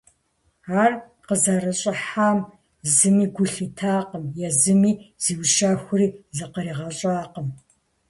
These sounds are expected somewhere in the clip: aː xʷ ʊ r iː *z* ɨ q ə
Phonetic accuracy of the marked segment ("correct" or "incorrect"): correct